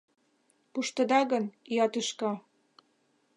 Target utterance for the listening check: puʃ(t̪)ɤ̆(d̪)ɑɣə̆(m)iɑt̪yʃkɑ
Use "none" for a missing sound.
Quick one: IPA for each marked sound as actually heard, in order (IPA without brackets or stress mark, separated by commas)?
t̪, d̪, n